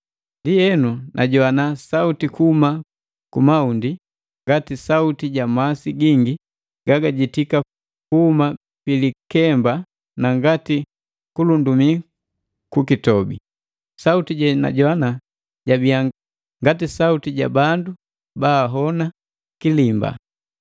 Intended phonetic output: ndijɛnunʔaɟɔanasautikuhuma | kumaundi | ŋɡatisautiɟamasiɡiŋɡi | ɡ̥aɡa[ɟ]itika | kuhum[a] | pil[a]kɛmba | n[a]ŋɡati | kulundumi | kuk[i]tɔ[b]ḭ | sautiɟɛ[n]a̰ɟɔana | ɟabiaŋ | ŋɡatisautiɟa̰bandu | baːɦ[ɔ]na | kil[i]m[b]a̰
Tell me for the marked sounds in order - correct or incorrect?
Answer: correct, correct, incorrect, correct, correct, correct, correct, correct, correct, correct

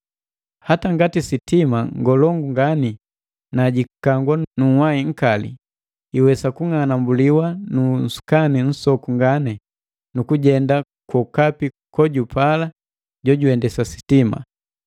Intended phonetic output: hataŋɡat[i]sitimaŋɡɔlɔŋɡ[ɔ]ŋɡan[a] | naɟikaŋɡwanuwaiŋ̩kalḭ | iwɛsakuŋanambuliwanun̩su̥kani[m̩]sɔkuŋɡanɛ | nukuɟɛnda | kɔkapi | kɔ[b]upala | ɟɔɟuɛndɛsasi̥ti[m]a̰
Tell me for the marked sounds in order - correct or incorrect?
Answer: correct, incorrect, incorrect, incorrect, incorrect, correct

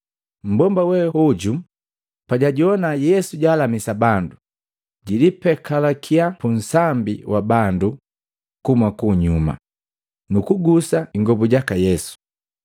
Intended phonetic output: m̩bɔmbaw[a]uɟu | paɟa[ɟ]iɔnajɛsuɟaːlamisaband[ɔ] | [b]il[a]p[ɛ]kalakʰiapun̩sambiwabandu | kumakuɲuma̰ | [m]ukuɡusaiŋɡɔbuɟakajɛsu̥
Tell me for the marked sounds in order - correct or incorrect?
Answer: incorrect, correct, incorrect, incorrect, incorrect, correct, incorrect

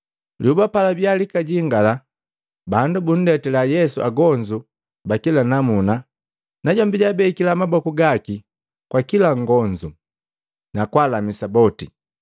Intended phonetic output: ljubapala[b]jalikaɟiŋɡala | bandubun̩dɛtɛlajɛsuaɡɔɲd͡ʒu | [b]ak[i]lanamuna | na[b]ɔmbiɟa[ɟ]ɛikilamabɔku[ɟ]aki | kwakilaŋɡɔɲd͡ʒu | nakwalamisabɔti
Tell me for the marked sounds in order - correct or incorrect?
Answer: correct, correct, correct, incorrect, incorrect, incorrect

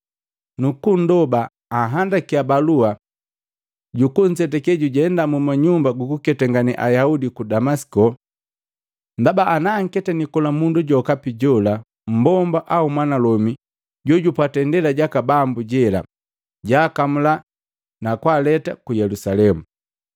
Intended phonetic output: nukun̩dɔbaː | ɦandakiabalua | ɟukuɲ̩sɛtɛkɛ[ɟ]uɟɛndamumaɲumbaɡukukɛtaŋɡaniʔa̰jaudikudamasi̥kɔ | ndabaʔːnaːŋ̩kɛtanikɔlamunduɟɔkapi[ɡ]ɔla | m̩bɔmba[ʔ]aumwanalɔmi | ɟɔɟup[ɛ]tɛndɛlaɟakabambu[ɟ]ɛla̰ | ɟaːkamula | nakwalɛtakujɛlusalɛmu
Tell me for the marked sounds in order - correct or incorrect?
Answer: correct, incorrect, correct, incorrect, correct

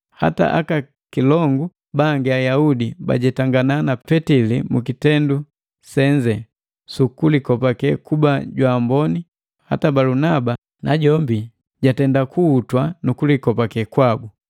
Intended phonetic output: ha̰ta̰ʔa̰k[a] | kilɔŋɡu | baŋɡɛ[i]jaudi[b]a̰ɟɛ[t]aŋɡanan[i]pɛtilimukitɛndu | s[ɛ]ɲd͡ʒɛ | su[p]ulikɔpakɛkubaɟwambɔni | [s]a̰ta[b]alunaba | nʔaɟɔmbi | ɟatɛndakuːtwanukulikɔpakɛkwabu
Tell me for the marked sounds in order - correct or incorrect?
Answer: correct, incorrect, correct, correct, incorrect, correct, incorrect, incorrect, correct

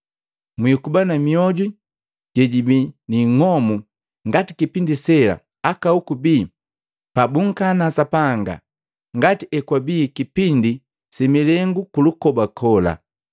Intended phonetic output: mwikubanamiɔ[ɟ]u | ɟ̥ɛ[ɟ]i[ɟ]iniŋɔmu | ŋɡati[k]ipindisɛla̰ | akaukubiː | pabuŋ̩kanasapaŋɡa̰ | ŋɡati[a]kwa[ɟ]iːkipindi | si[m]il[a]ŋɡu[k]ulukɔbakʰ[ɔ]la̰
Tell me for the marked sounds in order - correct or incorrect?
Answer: correct, correct, incorrect, correct, incorrect, incorrect, correct, incorrect, correct, correct

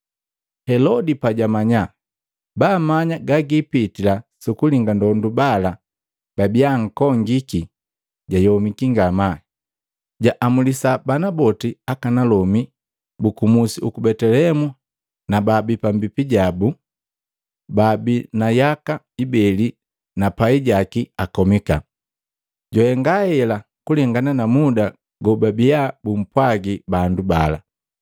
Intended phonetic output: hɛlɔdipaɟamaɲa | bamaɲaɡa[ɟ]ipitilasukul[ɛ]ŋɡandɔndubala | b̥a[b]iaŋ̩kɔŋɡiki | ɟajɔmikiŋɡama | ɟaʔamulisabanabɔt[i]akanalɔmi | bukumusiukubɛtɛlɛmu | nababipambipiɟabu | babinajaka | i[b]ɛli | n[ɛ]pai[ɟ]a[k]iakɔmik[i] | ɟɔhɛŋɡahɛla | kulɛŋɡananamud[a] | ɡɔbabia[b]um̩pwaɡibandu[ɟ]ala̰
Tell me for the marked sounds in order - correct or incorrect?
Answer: incorrect, incorrect, correct, correct, correct, incorrect, correct, correct, incorrect, correct, correct, incorrect

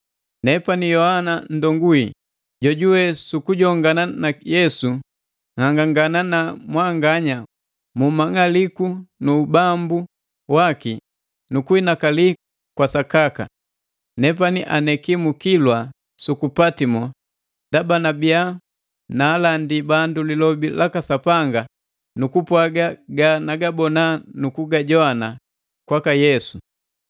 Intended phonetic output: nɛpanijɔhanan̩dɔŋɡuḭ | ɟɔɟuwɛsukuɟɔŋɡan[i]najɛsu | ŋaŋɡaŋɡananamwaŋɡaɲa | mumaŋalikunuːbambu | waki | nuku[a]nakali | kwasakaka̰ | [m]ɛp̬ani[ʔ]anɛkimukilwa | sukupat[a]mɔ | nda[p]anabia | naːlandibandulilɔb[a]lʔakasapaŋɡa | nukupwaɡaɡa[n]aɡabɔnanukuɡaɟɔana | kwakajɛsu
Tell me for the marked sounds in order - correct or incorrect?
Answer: incorrect, incorrect, incorrect, correct, incorrect, incorrect, incorrect, correct

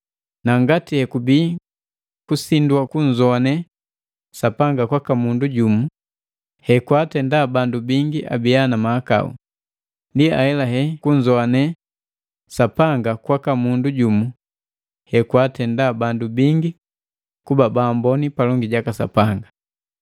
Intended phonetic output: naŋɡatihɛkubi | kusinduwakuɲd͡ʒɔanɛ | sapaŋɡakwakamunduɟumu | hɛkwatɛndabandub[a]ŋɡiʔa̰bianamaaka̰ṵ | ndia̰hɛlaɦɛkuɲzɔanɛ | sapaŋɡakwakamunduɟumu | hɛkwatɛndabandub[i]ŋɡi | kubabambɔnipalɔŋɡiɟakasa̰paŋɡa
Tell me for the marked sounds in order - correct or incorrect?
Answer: incorrect, correct

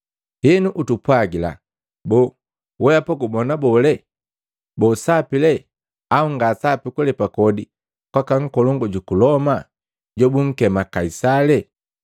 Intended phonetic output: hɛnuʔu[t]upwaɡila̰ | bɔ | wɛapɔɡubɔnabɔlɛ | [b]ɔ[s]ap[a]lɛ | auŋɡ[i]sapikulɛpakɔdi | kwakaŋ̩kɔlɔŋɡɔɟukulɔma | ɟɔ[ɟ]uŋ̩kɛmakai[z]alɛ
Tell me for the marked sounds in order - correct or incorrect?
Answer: correct, correct, correct, incorrect, incorrect, incorrect, incorrect

